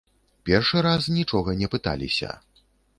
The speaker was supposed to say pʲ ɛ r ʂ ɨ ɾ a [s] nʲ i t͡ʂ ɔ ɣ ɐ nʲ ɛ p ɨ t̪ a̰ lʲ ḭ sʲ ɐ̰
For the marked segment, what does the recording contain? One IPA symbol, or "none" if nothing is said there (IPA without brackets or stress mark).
s